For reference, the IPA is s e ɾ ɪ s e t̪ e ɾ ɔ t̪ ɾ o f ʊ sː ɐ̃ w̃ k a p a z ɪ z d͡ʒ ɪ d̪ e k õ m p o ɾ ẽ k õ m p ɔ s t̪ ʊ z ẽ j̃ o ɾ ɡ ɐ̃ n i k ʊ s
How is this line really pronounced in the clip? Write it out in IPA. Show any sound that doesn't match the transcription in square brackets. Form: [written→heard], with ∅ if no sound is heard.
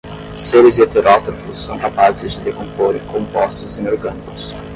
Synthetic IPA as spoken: s e ɾ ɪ [s→z] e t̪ e ɾ ɔ t̪ ɾ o f ʊ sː ɐ̃ w̃ k a p a z ɪ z d͡ʒ ɪ d̪ e k õ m p o ɾ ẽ k õ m p ɔ s t̪ ʊ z ẽ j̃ o ɾ ɡ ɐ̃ n i k ʊ s

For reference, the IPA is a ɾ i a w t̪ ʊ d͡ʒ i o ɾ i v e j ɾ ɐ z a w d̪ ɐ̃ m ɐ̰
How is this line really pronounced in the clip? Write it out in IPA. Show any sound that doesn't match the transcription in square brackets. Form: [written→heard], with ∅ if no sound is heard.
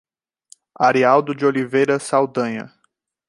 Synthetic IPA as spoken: a ɾ i a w [t̪→d̪] ʊ d͡ʒ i o [ɾ→l] i v e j ɾ ɐ [z→s] a w d̪ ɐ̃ [m→ɲ] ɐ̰

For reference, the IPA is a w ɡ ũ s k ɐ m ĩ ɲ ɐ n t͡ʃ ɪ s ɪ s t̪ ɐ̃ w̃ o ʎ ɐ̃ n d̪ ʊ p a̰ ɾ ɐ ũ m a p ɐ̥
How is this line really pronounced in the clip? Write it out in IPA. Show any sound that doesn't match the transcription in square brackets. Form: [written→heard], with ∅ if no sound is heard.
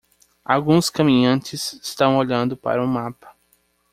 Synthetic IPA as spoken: a w ɡ ũ s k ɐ m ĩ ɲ [ɐ→ɐ̃] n t͡ʃ ɪ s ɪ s t̪ ɐ̃ w̃ o ʎ ɐ̃ n d̪ ʊ p a̰ ɾ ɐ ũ m a p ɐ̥

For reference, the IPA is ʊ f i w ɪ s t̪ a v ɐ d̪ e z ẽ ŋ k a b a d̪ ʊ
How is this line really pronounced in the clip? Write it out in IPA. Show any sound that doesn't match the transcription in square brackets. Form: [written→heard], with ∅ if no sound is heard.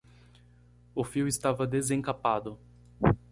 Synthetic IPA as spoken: ʊ f i w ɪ s t̪ a v ɐ d̪ e z ẽ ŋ k a [b→p] a d̪ ʊ

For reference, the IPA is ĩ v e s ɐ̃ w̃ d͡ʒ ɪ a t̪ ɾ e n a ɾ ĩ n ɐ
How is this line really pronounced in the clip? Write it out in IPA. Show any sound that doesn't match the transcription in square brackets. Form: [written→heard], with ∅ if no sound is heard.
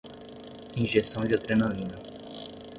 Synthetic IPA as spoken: ĩ [v→ʒ] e s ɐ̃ w̃ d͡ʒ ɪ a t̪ ɾ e n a [ɾ→l] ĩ n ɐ

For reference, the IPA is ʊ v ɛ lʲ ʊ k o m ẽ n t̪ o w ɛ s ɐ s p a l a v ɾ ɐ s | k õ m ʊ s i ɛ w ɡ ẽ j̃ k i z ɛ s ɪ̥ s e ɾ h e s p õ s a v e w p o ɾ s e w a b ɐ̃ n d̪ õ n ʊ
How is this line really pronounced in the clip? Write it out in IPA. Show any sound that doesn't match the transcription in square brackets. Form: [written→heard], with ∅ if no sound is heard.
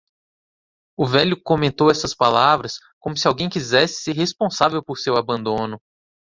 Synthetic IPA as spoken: ʊ v ɛ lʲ ʊ k o m ẽ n t̪ o w ɛ s ɐ s p a l a v ɾ ɐ s | k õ m ʊ s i [ɛ→a] w ɡ ẽ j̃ k i z ɛ s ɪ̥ s e ɾ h e s p õ s a v e w p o ɾ s e w a b ɐ̃ n d̪ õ n ʊ

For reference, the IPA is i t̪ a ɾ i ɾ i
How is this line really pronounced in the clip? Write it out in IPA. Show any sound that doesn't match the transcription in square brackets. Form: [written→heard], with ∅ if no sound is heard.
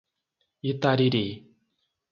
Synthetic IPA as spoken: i t̪ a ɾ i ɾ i

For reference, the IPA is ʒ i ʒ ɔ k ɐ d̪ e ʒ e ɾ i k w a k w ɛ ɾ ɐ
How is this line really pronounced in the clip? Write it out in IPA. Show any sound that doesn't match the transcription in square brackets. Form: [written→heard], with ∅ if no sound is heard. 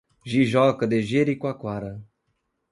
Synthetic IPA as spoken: ʒ i ʒ ɔ k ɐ d̪ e ʒ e ɾ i k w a k w [ɛ→a] ɾ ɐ

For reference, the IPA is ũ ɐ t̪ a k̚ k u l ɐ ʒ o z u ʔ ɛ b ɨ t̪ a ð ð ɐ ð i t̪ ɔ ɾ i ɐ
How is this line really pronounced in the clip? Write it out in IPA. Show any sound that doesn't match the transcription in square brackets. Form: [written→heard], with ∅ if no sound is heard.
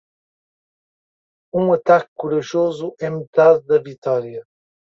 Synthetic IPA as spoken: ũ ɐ t̪ a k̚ k u [l→ɾ] ɐ ʒ o z u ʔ ɛ [b→m] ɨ t̪ a ð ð ɐ [ð→v] i t̪ ɔ ɾ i ɐ

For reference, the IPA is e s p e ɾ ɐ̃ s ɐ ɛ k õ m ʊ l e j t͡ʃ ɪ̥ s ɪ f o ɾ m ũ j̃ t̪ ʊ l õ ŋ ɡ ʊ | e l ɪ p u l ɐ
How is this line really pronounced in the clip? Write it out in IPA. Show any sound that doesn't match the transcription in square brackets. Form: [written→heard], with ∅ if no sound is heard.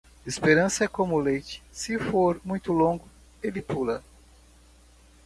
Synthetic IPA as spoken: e s p e ɾ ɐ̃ s ɐ ɛ k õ m ʊ l e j t͡ʃ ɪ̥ s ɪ f o ɾ m ũ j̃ t̪ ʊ l õ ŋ ɡ ʊ | e l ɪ p u l ɐ

